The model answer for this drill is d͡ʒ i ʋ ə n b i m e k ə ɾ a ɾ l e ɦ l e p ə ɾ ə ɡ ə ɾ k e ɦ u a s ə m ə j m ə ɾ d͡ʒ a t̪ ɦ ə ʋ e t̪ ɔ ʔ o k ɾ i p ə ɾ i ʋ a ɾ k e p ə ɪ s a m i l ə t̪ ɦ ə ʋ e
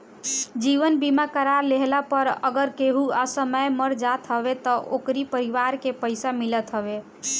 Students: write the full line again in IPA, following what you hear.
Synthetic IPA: d͡ʒ i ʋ ə n b i m a k ə ɾ a ɾ l e ɦ l a p ə ɾ ə ɡ ə ɾ k e ɦ u a s ə m ə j m ə ɾ d͡ʒ a t̪ ɦ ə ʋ e t̪ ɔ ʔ o k ɾ i p ə ɾ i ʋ a ɾ k e p ə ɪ s a m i l ə t̪ ɦ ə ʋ e